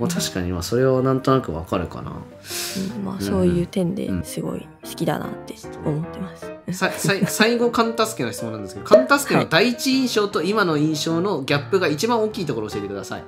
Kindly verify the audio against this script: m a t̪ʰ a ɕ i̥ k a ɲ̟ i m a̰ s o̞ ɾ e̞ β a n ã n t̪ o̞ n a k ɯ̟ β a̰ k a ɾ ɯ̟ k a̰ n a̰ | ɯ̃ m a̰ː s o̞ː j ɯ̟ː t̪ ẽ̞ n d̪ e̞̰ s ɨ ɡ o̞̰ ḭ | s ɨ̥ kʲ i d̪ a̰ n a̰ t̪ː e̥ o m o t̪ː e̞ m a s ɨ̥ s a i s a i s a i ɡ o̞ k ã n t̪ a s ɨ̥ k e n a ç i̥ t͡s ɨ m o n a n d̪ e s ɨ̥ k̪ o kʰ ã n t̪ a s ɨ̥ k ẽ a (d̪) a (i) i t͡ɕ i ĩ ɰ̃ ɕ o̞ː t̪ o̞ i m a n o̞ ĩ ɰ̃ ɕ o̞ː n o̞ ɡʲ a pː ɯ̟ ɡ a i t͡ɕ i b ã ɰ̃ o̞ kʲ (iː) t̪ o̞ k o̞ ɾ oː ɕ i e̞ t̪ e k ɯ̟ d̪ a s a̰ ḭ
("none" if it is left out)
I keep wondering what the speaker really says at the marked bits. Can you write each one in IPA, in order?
d̪, i, iː

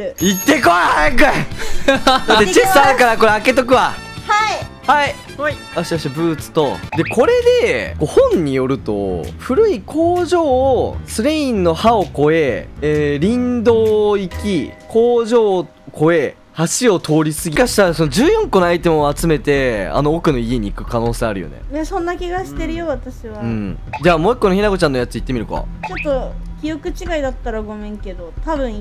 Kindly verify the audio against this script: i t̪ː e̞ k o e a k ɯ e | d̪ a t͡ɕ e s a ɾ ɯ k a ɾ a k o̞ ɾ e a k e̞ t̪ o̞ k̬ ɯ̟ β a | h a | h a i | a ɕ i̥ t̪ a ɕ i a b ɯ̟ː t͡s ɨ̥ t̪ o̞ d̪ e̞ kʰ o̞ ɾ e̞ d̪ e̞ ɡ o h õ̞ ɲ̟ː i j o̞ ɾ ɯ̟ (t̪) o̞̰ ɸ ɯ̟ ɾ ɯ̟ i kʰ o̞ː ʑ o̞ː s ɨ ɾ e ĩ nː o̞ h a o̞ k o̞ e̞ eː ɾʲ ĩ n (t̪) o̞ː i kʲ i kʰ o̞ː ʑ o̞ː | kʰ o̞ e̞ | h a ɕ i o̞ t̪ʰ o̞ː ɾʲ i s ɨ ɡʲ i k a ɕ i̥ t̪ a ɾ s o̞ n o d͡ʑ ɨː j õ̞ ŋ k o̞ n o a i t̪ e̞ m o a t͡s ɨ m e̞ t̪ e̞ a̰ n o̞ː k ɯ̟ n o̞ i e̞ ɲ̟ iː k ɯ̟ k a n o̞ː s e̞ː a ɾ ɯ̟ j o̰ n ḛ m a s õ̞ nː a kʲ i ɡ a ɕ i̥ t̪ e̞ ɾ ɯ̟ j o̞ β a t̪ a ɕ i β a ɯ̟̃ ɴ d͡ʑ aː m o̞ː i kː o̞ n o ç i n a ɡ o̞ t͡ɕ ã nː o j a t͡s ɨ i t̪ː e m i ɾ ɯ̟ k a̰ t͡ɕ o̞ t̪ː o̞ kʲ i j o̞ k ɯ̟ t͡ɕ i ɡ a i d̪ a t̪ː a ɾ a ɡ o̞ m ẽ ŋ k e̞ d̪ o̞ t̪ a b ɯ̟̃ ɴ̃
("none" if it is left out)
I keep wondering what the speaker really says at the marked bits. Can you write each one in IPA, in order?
t̪, d̪

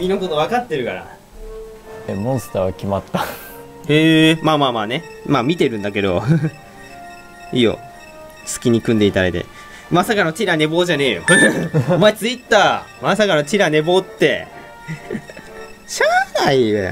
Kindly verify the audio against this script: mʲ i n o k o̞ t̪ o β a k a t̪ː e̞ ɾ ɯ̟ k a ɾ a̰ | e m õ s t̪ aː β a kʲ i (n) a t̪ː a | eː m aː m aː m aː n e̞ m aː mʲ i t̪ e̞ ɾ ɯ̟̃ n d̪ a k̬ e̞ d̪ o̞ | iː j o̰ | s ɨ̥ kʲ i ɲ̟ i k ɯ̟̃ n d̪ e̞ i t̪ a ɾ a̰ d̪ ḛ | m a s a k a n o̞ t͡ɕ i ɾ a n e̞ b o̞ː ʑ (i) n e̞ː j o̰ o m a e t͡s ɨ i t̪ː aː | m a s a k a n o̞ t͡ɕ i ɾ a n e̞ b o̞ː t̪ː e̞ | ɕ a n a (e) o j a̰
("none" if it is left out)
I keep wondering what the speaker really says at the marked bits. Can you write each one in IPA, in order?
m, a, i

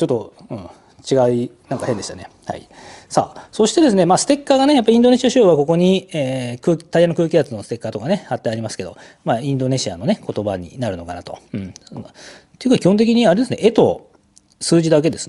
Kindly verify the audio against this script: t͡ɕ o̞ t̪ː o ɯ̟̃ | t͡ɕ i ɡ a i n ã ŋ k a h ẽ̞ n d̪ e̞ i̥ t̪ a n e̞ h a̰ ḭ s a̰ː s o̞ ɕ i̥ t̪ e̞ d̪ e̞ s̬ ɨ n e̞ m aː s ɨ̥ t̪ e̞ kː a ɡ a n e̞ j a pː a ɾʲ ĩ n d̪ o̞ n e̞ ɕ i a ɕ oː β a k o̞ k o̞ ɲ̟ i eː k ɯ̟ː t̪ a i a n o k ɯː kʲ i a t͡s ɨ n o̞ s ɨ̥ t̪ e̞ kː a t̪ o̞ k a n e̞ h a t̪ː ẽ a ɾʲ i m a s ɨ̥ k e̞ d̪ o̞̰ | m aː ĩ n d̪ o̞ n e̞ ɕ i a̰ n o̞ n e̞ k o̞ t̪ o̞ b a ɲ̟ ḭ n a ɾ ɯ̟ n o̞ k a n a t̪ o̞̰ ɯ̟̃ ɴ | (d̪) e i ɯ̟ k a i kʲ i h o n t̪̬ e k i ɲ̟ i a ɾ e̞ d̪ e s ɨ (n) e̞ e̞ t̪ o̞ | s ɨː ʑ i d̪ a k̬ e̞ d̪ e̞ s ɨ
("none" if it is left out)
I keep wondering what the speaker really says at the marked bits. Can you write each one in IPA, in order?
t̪, n

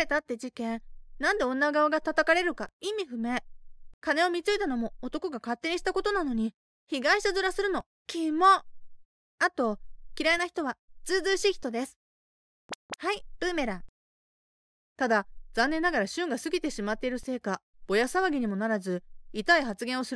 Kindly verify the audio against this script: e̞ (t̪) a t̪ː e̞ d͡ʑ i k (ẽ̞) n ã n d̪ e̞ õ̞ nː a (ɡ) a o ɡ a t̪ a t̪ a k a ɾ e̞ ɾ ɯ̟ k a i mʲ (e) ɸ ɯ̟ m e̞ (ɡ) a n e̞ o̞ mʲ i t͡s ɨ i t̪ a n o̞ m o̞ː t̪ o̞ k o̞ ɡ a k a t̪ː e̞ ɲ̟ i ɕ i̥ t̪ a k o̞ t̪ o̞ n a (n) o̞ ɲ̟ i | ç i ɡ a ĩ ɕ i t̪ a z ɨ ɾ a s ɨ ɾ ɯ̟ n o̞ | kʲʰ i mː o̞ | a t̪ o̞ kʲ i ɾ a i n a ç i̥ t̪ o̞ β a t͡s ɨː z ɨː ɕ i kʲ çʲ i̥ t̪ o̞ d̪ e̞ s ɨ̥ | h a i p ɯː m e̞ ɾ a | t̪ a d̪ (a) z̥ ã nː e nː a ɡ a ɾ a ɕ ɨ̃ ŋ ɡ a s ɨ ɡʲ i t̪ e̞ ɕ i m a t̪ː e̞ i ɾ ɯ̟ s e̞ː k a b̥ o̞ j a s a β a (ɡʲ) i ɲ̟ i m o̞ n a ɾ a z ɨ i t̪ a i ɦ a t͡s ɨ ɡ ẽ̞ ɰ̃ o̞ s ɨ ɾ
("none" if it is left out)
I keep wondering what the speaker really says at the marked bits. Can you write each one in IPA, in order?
t̪, ẽ̞, ɡ, i, k, n, a, ɡʲ

